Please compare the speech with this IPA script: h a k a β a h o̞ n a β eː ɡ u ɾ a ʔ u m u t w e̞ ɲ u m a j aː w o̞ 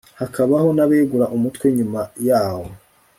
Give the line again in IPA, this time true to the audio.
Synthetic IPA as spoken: h a k a β a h o̞ n a β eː ɡ u ɾ a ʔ u m u t w e̞ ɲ u m a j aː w o̞